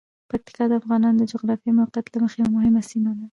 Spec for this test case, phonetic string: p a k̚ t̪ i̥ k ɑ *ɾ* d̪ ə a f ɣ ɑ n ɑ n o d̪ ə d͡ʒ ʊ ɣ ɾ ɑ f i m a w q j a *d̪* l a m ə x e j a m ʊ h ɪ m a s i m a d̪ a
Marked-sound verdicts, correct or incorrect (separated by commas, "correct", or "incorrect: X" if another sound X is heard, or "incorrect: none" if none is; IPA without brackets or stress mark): incorrect: none, incorrect: t̪